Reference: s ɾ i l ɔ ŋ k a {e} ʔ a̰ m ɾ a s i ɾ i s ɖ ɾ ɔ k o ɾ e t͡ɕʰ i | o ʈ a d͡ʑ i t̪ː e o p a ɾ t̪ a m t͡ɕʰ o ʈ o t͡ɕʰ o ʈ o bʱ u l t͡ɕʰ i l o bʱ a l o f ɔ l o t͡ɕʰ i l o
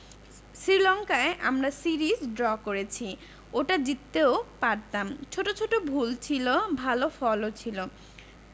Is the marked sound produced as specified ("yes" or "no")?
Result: yes